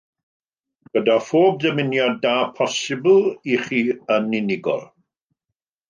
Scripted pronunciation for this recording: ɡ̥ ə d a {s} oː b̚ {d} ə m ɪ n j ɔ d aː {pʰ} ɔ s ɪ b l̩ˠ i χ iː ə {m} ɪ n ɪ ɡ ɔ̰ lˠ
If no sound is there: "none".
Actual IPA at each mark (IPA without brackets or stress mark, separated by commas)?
f, d, pʰ, n